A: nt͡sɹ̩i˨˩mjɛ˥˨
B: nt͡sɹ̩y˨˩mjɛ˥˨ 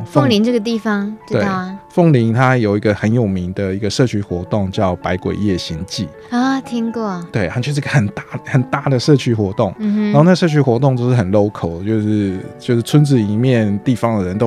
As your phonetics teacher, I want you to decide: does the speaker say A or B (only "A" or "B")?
A